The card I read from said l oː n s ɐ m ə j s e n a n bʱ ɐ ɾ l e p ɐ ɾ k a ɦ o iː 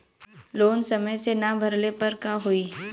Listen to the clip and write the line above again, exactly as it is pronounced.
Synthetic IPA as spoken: l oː n s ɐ m ə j s e n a bʱ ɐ ɾ l e p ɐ ɾ k a ɦ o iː